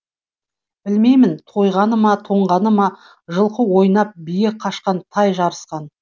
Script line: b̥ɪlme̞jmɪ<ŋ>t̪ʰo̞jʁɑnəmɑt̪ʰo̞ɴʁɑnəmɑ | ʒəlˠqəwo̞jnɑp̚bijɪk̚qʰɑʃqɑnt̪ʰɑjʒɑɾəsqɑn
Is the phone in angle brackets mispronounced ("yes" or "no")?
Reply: yes